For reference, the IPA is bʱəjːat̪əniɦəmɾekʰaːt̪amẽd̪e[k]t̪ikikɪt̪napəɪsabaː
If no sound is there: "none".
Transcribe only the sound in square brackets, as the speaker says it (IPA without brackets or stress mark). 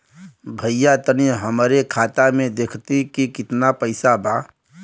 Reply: kʰ